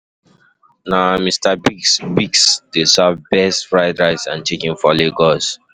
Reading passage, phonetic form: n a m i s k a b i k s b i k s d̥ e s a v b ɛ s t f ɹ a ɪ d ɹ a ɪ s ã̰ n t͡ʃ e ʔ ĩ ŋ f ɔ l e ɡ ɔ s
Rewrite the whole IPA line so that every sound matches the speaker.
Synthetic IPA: n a m i s t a b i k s b i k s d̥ e s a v b ɛ s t f ɹ a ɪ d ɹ a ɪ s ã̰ n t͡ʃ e k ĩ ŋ f ɔ l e ɡ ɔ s